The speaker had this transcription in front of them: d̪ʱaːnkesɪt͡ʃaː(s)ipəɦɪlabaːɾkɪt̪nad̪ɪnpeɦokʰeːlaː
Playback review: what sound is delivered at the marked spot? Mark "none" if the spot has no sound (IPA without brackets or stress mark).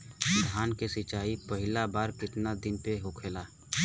none